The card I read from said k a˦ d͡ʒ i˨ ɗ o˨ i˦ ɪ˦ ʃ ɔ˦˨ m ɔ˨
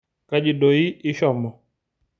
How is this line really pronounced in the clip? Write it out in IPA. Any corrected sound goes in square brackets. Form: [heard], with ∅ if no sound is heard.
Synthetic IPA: k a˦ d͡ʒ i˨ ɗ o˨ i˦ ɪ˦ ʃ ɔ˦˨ m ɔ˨